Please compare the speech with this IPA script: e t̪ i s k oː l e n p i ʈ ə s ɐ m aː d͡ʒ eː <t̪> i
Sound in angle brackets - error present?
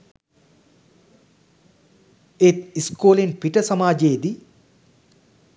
yes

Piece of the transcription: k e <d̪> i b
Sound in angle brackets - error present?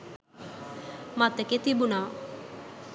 yes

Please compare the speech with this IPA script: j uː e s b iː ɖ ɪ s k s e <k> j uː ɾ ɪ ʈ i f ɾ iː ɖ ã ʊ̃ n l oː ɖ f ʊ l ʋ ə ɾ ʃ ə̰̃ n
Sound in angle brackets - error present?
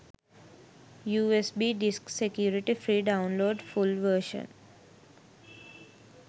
no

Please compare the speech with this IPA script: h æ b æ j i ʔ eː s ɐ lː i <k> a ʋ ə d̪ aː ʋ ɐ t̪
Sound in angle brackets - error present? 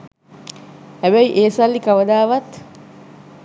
no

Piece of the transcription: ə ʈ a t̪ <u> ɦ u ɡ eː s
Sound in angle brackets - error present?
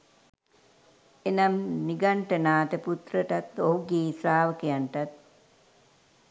yes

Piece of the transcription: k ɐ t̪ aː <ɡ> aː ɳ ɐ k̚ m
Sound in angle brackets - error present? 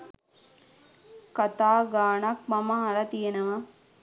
no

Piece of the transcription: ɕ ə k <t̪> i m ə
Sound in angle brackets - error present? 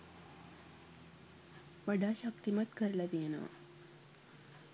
no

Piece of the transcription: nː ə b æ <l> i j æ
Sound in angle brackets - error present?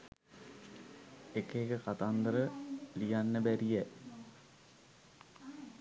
yes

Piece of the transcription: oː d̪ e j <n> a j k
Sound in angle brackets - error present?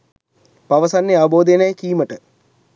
no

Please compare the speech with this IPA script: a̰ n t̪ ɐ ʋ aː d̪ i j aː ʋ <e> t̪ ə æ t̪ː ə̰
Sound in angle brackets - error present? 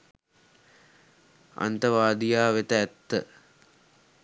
no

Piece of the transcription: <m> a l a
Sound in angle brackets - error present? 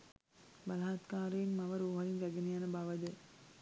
yes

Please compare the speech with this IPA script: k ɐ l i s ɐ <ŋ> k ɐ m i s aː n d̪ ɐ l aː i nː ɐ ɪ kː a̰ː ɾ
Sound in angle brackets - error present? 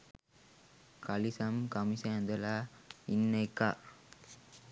yes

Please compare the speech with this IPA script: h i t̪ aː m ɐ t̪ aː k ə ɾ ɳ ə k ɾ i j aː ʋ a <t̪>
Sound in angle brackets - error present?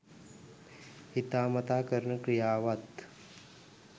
no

